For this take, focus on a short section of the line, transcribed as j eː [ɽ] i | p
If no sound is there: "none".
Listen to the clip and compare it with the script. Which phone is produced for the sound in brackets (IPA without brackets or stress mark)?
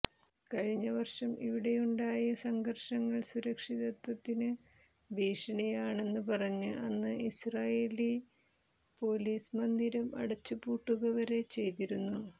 l